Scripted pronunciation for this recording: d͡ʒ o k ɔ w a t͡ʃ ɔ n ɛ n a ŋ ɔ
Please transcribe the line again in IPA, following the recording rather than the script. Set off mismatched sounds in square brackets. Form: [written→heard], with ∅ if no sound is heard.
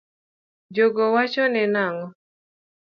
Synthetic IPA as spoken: d͡ʒ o [k→ɡ] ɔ w a t͡ʃ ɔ n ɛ n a ŋ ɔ